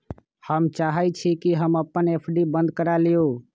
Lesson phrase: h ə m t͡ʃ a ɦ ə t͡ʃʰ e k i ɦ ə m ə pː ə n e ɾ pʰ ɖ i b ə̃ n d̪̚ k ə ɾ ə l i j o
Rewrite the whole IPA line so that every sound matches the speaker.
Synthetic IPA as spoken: h ə m t͡ʃ a ɦ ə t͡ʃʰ i k i ɦ ə m ə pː ə n e pʰ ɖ i b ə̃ n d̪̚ k ə ɾ a l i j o